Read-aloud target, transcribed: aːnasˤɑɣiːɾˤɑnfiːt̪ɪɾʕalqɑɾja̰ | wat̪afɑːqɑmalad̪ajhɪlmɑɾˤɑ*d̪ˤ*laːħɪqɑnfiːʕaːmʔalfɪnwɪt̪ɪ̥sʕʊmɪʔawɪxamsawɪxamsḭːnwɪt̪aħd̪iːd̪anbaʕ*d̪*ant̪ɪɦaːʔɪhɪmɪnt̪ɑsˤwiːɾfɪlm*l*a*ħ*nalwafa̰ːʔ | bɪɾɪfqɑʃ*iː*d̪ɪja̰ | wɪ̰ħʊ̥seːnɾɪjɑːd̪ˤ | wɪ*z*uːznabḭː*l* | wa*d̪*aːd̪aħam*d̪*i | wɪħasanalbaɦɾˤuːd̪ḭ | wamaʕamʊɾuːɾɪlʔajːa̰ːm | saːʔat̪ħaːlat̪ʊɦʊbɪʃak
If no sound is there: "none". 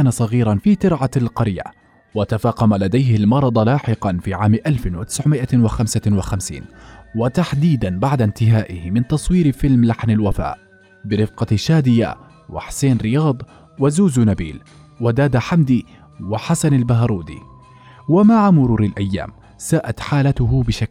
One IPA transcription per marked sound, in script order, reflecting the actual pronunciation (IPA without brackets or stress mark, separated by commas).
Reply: d̪ˤ, d̪, l, ħ, aː, z, l, d̪, d̪